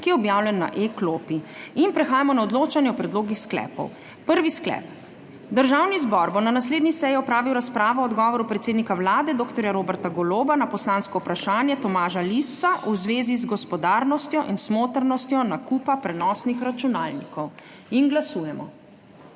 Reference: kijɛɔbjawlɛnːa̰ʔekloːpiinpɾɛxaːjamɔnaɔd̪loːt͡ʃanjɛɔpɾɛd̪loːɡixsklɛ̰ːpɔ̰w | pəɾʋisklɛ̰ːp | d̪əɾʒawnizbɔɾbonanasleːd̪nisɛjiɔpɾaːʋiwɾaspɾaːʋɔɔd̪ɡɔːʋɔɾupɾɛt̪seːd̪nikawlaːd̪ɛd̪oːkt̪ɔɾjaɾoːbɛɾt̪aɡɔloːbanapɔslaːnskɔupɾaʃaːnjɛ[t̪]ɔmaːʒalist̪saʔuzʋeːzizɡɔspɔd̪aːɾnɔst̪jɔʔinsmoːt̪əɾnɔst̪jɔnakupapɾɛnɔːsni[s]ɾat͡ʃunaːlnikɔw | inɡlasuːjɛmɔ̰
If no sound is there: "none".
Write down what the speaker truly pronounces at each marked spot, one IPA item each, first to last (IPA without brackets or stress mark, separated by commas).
t̪, x